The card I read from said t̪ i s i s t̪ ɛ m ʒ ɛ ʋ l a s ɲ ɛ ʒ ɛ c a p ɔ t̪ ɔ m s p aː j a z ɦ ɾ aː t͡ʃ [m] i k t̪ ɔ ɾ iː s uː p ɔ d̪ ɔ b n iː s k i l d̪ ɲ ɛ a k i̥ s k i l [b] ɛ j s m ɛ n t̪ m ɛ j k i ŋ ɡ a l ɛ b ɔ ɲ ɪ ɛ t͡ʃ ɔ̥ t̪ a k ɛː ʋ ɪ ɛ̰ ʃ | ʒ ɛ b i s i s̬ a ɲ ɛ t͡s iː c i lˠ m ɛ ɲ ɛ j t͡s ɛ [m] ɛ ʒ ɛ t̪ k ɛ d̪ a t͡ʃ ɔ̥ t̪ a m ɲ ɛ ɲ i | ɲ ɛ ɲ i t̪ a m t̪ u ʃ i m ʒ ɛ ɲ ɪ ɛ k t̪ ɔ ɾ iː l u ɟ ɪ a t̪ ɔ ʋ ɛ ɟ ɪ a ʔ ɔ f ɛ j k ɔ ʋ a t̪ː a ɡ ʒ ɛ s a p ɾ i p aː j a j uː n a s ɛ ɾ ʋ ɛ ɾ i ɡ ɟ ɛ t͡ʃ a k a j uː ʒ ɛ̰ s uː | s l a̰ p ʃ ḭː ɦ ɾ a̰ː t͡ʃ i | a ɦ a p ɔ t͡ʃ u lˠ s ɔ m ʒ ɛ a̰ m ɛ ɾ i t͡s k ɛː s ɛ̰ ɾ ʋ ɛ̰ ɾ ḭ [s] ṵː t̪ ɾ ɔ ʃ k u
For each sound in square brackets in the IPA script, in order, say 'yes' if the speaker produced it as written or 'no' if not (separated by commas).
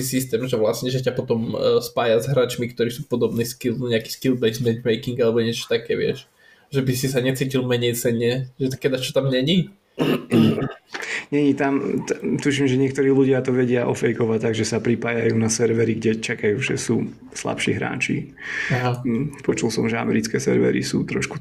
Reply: yes, yes, no, yes